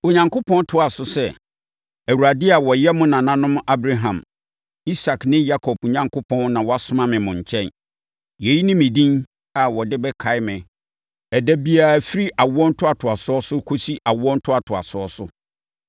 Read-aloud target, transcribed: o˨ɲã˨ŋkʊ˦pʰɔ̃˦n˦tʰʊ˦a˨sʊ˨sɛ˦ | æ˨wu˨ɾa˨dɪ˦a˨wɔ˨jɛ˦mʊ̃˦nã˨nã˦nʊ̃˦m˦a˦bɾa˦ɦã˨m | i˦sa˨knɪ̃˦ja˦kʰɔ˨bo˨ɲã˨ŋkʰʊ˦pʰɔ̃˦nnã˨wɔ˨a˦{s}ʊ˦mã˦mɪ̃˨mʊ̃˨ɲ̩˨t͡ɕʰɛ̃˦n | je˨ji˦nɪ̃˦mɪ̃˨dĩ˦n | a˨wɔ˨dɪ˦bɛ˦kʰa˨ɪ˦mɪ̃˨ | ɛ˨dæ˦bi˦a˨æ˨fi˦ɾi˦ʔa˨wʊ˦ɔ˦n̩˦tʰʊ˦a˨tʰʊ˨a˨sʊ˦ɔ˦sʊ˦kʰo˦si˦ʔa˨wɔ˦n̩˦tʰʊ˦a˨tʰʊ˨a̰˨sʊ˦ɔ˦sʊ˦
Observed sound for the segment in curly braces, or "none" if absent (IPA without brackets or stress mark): s